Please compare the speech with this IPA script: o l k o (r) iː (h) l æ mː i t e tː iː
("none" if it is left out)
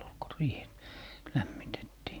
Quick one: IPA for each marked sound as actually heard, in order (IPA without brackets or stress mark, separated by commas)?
r, h